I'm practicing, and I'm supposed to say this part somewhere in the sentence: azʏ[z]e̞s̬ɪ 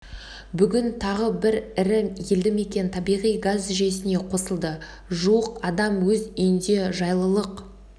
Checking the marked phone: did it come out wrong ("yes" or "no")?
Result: yes